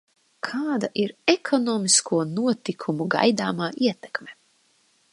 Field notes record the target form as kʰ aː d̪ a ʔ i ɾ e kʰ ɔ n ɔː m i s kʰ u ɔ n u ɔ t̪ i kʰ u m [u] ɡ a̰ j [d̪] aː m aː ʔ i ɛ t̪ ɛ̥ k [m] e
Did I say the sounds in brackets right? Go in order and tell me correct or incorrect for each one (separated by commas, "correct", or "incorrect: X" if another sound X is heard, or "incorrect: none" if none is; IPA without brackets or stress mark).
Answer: correct, correct, correct